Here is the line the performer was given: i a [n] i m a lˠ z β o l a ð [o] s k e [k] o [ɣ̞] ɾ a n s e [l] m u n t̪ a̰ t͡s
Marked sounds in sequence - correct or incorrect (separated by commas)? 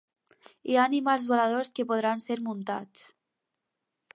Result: correct, correct, incorrect, incorrect, incorrect